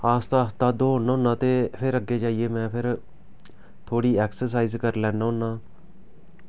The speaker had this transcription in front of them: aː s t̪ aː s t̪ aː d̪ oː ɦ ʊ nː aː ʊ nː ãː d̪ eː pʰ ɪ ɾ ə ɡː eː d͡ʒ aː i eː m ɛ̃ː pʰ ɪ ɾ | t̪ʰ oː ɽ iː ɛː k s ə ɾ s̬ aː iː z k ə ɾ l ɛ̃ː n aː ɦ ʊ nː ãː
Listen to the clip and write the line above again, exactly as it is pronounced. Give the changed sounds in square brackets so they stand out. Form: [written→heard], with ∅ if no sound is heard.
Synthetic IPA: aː s t̪ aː s t̪ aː d̪ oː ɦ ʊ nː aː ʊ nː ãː [d̪→t̪] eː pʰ ɪ ɾ ə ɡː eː d͡ʒ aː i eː m ɛ̃ː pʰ ɪ ɾ | t̪ʰ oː ɽ iː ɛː k s ə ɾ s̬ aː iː z k ə ɾ l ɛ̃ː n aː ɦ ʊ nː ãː